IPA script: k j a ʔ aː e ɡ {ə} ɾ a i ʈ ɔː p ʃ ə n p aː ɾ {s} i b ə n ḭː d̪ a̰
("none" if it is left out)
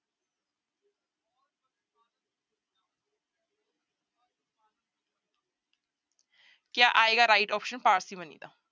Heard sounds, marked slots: a, s

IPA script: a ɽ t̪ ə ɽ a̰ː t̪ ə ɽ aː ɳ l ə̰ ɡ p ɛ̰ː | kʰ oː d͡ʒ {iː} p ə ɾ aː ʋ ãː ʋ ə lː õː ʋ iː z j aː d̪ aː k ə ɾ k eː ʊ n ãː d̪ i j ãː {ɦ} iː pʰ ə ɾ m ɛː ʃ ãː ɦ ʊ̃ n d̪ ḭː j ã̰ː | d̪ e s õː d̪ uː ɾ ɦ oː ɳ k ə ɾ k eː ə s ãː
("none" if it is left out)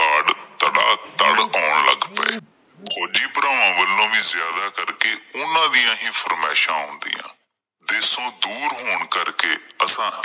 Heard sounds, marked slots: iː, ɦ

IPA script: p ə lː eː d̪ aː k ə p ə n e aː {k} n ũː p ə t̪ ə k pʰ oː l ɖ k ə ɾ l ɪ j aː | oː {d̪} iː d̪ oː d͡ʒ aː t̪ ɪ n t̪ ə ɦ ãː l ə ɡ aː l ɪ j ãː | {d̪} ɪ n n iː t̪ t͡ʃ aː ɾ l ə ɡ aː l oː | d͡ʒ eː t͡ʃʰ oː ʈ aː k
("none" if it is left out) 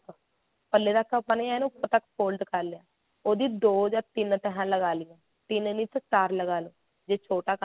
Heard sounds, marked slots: none, d̪, t̪

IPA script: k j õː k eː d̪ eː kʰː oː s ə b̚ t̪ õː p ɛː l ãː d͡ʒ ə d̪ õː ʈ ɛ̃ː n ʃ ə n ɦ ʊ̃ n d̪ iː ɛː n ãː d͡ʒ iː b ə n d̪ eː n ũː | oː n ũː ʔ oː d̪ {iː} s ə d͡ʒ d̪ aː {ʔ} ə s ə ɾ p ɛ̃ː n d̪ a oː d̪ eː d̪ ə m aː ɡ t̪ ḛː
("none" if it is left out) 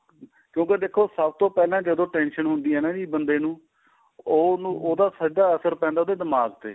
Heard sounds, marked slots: aː, none

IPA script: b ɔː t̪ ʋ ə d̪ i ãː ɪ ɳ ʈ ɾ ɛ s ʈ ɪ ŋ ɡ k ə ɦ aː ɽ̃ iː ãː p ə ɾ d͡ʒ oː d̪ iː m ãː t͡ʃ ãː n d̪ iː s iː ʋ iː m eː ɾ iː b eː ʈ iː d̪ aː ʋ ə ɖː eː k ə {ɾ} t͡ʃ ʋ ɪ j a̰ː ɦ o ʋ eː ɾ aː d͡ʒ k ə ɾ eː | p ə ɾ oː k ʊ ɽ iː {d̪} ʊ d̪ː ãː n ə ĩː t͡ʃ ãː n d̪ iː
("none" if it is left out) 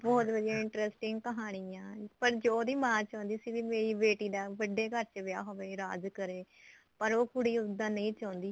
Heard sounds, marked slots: ɾ, none

